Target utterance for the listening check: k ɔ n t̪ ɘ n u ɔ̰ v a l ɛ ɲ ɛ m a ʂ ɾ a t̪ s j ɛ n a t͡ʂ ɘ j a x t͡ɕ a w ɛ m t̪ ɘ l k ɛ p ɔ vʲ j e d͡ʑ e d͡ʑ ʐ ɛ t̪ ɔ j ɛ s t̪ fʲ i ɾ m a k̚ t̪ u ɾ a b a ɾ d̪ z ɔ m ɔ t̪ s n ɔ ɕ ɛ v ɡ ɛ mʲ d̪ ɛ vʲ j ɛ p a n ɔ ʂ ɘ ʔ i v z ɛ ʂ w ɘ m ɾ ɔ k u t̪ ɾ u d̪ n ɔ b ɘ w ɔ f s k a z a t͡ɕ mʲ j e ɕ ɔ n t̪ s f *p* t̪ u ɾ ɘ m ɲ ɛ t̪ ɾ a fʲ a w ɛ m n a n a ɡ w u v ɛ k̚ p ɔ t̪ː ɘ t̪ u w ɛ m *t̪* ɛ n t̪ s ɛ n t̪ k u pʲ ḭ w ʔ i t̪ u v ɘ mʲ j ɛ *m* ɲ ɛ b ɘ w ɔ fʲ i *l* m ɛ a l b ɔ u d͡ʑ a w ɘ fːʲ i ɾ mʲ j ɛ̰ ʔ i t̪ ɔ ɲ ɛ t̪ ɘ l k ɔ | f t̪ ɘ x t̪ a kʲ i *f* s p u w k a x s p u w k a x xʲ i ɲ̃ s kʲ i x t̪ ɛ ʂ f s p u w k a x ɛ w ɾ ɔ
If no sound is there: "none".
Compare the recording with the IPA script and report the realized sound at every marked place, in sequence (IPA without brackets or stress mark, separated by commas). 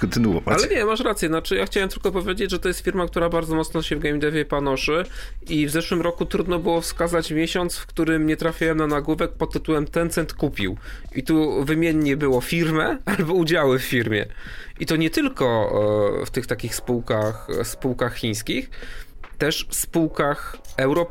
k, t̪, ɲ, ɾ, x